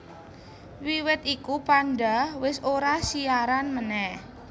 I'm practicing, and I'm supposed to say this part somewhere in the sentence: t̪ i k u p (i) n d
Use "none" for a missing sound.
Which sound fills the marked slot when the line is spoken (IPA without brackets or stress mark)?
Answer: a